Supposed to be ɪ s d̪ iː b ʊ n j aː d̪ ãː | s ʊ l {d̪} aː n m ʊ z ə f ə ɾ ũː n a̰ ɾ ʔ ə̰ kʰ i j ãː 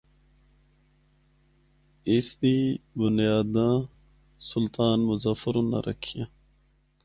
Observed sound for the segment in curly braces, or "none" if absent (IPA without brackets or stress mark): t̪